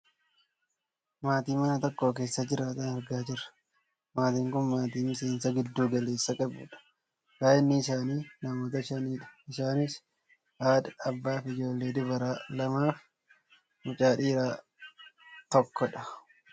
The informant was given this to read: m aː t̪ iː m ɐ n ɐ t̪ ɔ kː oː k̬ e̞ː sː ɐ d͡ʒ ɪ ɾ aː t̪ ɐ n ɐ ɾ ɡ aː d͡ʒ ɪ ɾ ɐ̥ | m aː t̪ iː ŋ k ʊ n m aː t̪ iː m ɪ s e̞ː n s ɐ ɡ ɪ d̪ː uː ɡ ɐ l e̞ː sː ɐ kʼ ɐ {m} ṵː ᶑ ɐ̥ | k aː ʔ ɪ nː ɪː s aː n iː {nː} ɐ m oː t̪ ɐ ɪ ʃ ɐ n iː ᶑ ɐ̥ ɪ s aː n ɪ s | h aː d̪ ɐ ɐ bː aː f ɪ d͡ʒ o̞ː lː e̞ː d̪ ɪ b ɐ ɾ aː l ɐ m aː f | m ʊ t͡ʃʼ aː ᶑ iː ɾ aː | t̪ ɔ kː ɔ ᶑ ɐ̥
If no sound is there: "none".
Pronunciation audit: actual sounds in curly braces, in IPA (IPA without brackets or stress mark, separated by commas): b, n